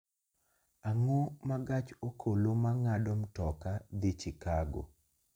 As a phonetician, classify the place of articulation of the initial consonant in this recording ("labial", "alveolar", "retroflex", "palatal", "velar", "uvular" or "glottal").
velar